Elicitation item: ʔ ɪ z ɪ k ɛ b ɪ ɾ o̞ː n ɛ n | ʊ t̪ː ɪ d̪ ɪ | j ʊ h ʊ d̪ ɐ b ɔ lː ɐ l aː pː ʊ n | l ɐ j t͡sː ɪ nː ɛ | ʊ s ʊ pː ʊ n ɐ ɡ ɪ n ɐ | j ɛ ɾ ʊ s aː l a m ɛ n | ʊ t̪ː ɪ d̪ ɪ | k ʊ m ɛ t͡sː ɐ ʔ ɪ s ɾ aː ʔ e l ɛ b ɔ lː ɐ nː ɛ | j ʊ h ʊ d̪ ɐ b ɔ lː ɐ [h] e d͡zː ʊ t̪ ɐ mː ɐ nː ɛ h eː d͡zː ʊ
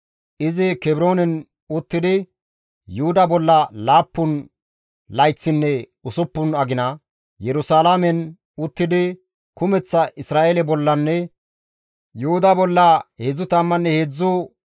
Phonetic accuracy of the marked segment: correct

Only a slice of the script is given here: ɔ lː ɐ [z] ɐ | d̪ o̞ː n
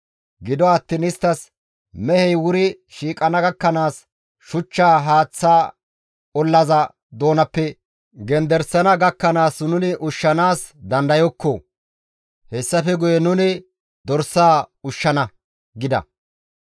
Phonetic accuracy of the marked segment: correct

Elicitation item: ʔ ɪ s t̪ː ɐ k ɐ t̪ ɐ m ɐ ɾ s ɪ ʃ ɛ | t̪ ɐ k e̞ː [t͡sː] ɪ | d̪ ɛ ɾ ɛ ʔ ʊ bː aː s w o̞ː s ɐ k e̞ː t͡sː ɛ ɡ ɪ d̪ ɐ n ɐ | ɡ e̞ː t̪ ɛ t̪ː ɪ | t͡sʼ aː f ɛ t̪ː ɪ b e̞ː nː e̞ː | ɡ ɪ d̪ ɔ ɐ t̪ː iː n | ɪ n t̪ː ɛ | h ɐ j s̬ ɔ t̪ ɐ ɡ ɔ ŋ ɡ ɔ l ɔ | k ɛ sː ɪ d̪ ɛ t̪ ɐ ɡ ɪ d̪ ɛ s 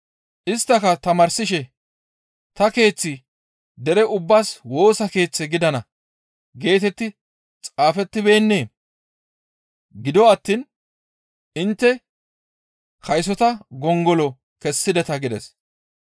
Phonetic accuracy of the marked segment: correct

